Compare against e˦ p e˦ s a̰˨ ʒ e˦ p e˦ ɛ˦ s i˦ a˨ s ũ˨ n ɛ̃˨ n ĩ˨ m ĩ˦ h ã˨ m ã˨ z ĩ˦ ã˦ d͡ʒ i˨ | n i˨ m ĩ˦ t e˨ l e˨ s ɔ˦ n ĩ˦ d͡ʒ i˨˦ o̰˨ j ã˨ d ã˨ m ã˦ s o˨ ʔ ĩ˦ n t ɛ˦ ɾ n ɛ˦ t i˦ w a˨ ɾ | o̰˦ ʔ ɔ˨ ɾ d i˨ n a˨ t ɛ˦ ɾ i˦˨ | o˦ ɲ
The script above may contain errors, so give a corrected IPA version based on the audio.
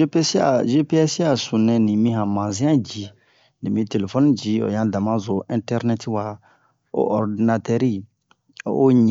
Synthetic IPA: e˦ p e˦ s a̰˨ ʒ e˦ p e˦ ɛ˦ s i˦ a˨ s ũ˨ n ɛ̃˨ n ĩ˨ m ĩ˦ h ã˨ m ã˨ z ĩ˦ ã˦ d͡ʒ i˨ | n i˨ m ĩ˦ t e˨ l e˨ f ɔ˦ n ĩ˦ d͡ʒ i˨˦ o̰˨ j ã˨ d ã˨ m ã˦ z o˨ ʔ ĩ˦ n t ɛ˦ ɾ n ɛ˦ t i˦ w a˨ | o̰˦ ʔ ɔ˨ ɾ d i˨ n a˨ t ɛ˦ ɾ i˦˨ | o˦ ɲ